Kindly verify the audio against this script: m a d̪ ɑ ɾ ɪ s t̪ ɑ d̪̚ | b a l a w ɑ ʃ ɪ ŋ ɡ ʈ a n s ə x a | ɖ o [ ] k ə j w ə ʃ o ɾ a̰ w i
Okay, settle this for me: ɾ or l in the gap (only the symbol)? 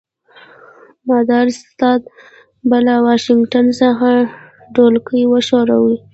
l